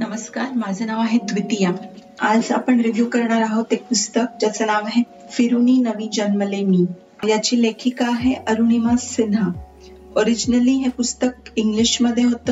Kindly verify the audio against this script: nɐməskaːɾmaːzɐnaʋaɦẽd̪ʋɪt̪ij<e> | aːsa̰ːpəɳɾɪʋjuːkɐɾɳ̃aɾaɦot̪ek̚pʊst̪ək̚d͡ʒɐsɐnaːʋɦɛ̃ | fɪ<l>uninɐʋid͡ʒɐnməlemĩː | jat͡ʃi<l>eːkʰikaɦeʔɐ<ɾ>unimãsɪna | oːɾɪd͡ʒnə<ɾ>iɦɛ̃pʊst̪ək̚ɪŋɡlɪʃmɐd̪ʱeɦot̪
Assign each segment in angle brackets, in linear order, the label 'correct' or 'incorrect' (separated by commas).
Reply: incorrect, incorrect, correct, correct, incorrect